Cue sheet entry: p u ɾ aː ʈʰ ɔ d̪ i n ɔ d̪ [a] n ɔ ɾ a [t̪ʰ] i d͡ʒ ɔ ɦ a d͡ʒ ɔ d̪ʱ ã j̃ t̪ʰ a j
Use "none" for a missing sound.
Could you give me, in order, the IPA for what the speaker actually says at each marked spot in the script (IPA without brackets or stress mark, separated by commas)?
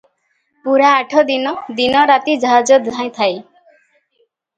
i, t̪